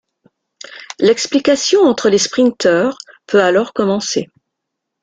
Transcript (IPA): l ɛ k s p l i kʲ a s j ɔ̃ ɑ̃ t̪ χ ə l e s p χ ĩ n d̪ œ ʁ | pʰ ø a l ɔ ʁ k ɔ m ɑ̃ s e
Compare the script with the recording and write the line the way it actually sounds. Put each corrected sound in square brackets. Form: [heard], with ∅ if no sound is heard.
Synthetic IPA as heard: l ɛ k s p l i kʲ a s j ɔ̃ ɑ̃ t̪ χ ə l e s p χ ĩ n [t̪] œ ʁ | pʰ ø a l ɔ ʁ k ɔ m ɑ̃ s e